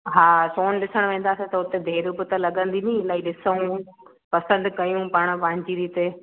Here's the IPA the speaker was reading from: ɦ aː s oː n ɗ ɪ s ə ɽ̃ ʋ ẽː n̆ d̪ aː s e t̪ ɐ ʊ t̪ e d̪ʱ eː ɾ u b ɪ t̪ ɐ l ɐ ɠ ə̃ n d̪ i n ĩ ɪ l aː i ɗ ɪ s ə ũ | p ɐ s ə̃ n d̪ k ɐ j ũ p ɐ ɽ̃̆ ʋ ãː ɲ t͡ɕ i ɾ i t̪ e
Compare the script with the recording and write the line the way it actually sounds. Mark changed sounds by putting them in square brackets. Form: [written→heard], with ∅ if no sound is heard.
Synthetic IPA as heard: ɦ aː s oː n ɗ ɪ s ə ɽ̃ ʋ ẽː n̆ d̪ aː s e t̪ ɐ ʊ t̪ e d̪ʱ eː ɾ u b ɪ t̪ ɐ l ɐ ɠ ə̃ n d̪ i n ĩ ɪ l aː i ɗ ɪ s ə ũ | p ɐ s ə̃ n d̪ k ɐ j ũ p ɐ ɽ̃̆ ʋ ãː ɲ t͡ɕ i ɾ i t̪ e